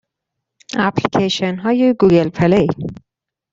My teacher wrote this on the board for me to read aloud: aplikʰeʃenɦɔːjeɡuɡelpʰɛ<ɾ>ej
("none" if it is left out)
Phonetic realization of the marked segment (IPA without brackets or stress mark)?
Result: l